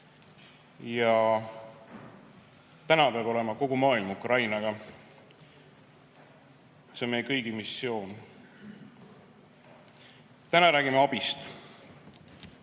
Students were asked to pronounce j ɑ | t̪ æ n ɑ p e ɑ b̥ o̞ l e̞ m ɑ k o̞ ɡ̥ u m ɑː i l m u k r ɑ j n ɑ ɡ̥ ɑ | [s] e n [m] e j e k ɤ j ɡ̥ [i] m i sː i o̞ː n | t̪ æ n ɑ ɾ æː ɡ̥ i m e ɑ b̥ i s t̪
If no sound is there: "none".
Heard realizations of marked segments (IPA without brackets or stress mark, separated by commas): s, m, i